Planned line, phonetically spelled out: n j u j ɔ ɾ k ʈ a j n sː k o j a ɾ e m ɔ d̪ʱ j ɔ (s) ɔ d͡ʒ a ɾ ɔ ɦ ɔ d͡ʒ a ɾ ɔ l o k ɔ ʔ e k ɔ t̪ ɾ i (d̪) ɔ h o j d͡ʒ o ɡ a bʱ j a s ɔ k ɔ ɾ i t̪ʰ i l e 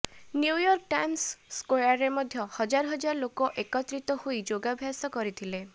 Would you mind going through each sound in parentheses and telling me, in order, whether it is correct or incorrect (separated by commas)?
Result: incorrect, incorrect